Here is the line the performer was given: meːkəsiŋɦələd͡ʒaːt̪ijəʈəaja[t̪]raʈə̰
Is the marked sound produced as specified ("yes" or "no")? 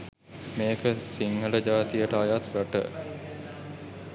yes